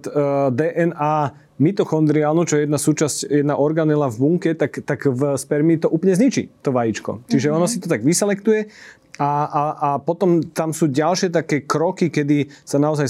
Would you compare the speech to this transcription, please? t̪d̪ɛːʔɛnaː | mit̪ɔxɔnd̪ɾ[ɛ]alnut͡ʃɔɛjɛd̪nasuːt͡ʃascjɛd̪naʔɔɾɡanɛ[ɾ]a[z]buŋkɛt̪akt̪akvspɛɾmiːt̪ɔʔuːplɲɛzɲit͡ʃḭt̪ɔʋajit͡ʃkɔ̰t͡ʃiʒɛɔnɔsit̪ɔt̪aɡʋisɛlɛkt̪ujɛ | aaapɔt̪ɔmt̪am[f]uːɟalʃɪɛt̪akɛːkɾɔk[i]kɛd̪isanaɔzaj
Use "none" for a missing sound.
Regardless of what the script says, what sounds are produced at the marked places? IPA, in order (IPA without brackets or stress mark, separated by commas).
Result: i, l, v, s, i